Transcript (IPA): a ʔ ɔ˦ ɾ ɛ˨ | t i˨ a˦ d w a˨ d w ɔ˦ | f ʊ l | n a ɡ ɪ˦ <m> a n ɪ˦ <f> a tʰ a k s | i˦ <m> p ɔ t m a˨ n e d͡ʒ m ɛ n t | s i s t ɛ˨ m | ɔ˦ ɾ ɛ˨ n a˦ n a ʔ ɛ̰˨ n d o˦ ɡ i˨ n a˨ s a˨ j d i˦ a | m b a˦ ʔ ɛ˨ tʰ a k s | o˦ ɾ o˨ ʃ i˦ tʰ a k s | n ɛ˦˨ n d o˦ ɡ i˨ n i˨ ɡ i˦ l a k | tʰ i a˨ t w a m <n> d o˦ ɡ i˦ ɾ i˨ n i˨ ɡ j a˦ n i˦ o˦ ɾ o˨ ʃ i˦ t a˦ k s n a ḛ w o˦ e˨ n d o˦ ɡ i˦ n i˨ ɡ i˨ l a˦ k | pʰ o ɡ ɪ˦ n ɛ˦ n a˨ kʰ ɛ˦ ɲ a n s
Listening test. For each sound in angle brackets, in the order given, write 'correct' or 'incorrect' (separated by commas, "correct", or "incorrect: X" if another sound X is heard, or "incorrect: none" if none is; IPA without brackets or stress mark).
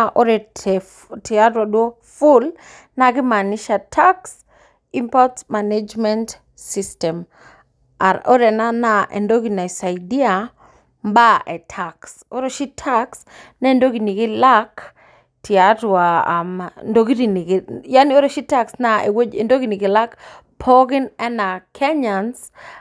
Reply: correct, incorrect: ʃ, correct, correct